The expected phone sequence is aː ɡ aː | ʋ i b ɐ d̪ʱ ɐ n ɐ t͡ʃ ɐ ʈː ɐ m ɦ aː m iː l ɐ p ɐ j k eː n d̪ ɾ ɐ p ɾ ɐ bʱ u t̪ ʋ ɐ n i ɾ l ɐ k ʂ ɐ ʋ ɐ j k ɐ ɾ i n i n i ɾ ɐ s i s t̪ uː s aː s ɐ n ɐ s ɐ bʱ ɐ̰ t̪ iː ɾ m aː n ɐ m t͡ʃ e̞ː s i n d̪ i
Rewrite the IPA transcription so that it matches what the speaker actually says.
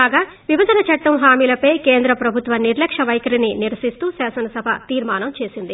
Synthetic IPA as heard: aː ɡ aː | ʋ i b ɐ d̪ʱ ɐ n ɐ t͡ʃ ɐ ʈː ɐ m ɦ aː m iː l ɐ p ɐ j k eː n d̪ ɾ ɐ p ɾ ɐ bʱ u t̪ ʋ ɐ n i ɾ l ɐ k ʂ ɐ ʋ ɐ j k ɐ ɾ i n i n i ɾ ɐ s i s t̪ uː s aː s ɐ n ɐ s ɐ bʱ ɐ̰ t̪ iː ɾ m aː n ɐ m t͡ʃ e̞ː s i n d̪ i